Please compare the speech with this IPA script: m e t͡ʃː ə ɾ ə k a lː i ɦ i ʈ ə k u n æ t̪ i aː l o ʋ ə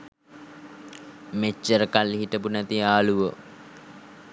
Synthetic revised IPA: m e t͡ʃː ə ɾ ə k a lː i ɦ i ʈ ə p u n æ t̪ i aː l u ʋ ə